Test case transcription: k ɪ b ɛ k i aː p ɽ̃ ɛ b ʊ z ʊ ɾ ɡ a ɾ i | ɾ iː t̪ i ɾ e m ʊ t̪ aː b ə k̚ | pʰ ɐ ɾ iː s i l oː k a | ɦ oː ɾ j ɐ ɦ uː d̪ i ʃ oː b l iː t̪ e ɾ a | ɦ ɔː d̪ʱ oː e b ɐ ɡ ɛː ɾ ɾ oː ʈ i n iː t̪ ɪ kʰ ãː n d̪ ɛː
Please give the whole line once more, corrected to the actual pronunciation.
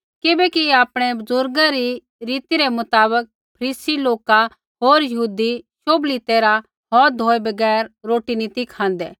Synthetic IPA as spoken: k ɪ b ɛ k i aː p ɽ̃ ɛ b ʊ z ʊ ɾ ɡ a ɾ i | ɾ iː t̪ i ɾ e m ʊ t̪ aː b ə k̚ | pʰ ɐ ɾ iː s i l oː k a | ɦ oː ɾ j ɐ ɦ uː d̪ i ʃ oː b l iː t̪ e ɾ a | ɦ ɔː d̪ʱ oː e b ɐ ɡ ɛː ɾ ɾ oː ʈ i n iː t̪ i kʰ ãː n d̪ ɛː